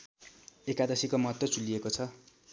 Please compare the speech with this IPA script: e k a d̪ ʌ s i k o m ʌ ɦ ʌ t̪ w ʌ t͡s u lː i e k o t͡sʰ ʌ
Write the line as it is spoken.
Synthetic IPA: e k a d̪ ʌ s i k o m ʌ ɦ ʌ t̪ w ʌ t͡s u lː i e k o t͡sʰ ʌ